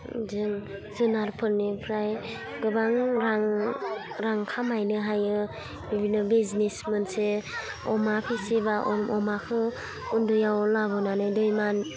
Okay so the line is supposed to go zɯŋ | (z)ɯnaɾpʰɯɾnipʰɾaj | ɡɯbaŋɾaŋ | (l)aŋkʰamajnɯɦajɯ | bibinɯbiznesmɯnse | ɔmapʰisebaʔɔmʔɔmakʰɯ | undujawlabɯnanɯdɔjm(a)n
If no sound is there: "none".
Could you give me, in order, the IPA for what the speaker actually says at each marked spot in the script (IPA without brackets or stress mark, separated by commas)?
z, ɾ, a